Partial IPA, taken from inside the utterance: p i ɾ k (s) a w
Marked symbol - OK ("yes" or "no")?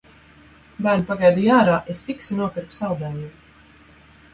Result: yes